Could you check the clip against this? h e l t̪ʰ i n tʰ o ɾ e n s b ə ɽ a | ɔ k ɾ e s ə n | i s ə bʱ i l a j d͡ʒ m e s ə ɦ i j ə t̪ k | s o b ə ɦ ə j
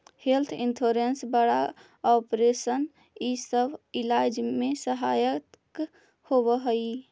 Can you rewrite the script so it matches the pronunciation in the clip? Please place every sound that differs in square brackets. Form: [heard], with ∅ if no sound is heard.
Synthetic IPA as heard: h e l t̪ʰ i n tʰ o ɾ e n s b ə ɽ a | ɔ [p] ɾ e s ə n | i s ə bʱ i l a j d͡ʒ m e s ə ɦ [a] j ə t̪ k | [h] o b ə ɦ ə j